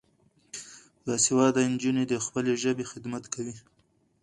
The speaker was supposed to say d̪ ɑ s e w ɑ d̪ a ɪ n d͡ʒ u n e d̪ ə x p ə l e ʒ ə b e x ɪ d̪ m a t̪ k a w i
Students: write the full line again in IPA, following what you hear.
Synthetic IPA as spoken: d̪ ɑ s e w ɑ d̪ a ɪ n d͡ʒ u n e d̪ ə x p ə l e ʒ ə b e x ɪ d̪ m a t̪ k a w i